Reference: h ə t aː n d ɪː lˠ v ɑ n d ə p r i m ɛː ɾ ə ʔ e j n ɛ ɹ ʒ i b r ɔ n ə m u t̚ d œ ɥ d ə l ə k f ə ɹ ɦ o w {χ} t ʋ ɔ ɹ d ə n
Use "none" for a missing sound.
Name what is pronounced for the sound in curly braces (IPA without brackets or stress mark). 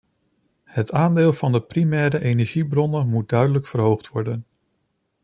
χ